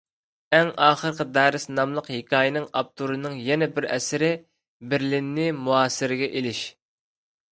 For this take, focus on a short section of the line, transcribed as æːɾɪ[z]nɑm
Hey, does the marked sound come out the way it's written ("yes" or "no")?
no